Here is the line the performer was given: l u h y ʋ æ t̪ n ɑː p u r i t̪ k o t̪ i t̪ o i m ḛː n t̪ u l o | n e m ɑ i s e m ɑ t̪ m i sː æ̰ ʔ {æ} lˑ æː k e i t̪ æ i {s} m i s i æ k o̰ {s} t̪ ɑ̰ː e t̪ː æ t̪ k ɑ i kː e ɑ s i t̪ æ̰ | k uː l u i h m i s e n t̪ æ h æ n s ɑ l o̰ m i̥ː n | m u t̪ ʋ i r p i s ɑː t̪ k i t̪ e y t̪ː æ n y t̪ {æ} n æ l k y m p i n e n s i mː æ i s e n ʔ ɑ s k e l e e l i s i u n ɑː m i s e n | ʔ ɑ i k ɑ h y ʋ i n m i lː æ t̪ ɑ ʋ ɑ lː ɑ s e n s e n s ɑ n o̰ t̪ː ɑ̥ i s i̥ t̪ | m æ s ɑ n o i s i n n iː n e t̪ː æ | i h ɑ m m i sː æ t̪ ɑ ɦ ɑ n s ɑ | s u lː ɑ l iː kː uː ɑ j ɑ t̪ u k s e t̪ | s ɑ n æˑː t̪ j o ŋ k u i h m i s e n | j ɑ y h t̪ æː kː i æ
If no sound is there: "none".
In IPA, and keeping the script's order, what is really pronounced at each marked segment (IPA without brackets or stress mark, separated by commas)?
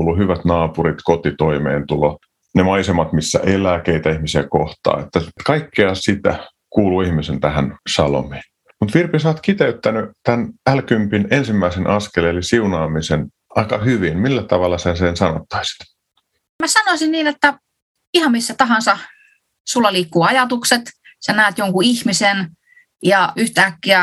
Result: e, h, h, æ